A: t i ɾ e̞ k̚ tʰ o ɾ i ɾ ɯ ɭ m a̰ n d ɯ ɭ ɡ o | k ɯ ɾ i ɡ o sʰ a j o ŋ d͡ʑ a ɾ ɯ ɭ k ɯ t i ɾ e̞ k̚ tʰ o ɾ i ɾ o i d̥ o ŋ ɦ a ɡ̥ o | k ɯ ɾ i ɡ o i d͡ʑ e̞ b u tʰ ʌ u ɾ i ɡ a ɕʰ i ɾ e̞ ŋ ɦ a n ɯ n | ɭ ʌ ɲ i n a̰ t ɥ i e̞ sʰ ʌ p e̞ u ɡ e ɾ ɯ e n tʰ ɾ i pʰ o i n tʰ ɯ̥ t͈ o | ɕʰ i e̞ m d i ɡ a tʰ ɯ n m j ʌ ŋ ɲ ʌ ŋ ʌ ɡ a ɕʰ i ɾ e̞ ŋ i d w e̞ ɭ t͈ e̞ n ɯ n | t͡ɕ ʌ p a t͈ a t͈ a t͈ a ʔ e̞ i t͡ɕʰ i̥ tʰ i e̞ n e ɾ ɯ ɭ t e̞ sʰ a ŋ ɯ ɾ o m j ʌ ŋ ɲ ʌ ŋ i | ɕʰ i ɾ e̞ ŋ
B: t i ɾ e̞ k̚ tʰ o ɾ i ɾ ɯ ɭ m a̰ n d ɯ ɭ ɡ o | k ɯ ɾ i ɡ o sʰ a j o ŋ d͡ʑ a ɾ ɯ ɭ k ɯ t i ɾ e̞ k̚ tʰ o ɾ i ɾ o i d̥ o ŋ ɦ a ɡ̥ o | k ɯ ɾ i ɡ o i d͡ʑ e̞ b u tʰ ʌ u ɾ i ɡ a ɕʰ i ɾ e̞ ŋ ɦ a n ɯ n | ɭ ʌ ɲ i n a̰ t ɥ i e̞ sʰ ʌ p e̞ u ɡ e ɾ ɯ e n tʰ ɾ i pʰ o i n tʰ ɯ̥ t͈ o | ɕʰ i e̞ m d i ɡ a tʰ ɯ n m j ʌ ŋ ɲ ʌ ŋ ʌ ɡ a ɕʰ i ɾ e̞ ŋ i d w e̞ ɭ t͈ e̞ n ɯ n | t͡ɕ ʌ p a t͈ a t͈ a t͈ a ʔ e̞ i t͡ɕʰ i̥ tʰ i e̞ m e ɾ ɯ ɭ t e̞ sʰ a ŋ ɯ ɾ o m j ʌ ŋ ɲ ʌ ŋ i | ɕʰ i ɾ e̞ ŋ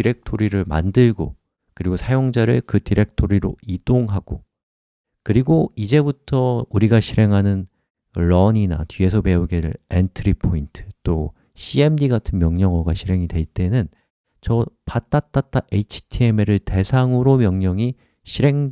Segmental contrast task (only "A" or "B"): B